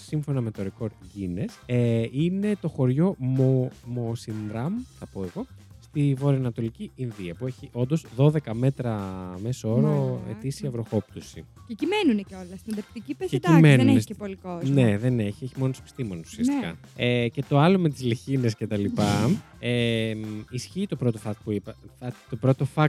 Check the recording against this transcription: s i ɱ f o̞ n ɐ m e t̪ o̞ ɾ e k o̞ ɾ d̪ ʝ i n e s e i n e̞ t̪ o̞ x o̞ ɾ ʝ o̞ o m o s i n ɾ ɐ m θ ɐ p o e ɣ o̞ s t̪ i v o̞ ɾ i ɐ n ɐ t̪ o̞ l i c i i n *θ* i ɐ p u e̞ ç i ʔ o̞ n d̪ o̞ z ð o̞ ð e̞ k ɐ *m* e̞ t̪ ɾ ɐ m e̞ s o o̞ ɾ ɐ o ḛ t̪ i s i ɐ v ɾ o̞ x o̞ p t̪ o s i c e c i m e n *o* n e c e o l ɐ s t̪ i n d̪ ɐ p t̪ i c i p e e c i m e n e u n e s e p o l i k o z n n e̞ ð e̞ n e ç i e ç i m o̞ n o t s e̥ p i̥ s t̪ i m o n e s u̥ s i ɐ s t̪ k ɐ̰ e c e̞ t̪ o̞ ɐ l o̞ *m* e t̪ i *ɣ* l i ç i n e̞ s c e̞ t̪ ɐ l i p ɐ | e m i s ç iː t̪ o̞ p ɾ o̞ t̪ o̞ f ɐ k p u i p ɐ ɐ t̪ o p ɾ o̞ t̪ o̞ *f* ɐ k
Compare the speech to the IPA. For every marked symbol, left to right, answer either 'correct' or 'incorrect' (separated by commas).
incorrect, correct, incorrect, correct, incorrect, correct